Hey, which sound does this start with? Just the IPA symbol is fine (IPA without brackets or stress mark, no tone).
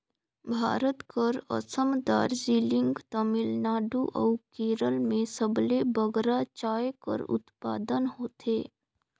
bʱ